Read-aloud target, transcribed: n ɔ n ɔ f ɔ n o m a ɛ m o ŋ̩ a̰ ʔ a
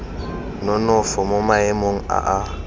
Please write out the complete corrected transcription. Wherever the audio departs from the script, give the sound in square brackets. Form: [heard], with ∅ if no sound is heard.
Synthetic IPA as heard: n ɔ n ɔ f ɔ [m] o m a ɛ m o ŋ̩ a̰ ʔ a